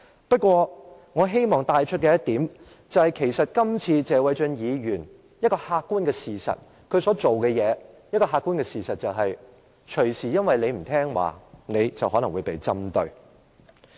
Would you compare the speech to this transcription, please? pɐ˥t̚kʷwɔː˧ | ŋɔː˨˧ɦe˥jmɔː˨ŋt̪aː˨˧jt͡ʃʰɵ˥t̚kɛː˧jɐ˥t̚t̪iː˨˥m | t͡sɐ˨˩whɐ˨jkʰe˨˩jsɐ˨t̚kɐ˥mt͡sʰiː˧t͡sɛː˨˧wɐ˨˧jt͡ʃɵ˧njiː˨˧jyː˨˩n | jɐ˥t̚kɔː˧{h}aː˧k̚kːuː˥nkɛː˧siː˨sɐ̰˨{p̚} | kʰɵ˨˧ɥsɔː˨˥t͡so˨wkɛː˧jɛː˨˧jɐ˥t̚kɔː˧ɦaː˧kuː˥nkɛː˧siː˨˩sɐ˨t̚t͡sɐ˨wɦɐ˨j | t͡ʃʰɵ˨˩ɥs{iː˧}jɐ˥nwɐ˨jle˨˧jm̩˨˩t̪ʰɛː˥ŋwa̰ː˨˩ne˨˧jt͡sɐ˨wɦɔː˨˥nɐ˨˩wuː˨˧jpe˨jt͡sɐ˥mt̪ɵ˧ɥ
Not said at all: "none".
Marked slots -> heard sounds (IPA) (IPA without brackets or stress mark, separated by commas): h, t̚, iː˨˩